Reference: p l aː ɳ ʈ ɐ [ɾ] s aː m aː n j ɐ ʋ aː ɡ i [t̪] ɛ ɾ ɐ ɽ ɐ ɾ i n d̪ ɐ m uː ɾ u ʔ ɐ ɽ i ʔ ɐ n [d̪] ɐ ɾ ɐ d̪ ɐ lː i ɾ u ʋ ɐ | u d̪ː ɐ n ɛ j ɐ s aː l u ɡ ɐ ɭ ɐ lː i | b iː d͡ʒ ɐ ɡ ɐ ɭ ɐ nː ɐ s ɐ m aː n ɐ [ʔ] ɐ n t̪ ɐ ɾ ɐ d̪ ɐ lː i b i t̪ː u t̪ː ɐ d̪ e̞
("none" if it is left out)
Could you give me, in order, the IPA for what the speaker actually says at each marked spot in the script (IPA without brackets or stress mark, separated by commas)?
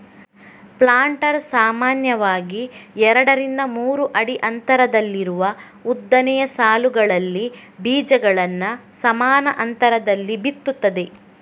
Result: ɾ, none, t̪, ʔ